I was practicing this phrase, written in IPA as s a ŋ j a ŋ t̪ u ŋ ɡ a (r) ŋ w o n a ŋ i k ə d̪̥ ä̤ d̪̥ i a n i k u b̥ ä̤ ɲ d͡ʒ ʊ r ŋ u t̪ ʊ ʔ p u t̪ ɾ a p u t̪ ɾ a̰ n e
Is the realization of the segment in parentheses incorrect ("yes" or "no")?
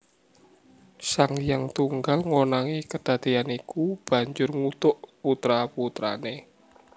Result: yes